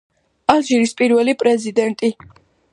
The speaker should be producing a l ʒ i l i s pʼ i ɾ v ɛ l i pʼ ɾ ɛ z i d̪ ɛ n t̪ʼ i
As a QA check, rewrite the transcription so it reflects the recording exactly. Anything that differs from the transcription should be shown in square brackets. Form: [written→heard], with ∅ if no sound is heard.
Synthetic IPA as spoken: a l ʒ i [l→ɾ] i s pʼ i ɾ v ɛ l i pʼ ɾ ɛ z i d̪ ɛ n t̪ʼ i